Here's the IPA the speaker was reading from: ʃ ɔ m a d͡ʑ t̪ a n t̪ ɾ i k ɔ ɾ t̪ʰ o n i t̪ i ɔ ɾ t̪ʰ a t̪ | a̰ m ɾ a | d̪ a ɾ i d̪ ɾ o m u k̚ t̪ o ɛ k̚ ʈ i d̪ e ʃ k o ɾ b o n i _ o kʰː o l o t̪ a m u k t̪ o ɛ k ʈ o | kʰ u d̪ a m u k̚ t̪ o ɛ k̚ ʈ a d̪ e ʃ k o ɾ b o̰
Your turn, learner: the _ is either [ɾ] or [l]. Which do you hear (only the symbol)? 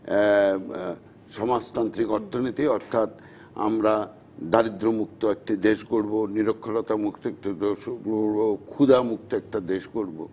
ɾ